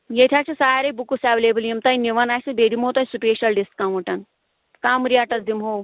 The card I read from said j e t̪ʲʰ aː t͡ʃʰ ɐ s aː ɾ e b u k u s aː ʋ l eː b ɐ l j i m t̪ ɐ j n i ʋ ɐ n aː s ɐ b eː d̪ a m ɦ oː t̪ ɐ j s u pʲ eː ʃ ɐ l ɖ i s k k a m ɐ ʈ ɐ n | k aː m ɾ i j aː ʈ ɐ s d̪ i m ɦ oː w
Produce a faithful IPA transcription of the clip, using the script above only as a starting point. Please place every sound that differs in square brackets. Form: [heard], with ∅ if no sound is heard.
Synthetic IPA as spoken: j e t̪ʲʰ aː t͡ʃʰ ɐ s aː ɾ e b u k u s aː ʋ l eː b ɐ l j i m t̪ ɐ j n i ʋ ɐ n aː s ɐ b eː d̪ [i] m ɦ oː t̪ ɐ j s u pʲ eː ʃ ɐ l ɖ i s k k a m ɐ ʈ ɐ n | k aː m ɾ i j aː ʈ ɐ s d̪ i m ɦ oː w